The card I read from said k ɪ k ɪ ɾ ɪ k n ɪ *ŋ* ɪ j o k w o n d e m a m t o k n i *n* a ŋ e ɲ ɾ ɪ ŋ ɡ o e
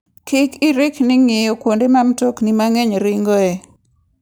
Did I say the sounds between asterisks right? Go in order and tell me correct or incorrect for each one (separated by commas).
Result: correct, incorrect